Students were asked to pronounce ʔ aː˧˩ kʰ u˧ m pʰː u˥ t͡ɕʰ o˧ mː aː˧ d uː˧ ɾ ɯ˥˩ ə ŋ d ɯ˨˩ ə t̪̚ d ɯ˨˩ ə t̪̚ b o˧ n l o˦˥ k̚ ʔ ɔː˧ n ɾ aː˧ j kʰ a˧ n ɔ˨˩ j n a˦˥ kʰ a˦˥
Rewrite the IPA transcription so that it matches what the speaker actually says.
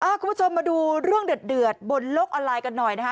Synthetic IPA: ʔ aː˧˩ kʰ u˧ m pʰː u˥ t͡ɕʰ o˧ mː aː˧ d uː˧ ɾ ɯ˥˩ ə ŋ d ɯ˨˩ ə t̪̚ d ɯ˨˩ ə t̪̚ b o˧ n l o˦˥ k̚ ʔ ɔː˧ n l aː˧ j k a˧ nː ɔ˨˩ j n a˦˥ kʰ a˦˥